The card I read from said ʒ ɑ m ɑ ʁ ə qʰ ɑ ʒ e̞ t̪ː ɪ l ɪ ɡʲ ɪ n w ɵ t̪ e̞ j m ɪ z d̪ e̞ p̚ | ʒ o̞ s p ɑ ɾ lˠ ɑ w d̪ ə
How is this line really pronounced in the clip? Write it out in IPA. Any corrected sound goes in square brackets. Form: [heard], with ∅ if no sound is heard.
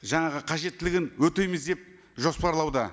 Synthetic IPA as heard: ʒ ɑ [ɴ] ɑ ʁ ə qʰ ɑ ʒ e̞ t̪ː ɪ l ɪ ɡʲ ɪ n w ɵ t̪ e̞ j m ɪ z d̪ e̞ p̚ | ʒ o̞ s p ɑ ɾ lˠ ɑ w d̪ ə